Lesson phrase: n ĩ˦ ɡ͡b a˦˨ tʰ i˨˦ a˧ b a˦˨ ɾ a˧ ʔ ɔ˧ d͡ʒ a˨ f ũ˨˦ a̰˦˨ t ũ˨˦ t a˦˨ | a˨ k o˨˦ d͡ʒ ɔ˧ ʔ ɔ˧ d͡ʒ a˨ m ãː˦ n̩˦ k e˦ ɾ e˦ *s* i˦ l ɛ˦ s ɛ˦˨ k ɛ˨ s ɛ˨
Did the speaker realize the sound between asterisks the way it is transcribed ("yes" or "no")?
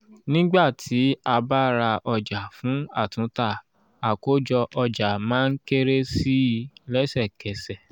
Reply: yes